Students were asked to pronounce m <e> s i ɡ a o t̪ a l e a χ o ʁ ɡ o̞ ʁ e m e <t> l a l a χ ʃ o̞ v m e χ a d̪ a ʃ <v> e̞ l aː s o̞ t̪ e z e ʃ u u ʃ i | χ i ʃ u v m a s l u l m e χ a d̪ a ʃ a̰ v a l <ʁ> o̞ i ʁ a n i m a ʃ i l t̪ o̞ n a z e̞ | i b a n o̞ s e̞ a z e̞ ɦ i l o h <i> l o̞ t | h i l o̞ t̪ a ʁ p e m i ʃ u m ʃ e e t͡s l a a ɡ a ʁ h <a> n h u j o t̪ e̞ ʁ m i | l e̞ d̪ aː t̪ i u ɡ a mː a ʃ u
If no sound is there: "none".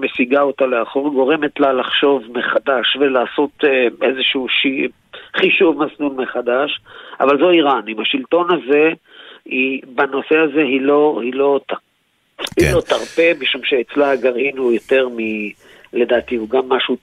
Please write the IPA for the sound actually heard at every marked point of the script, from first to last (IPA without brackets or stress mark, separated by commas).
e, t, v, z, i, i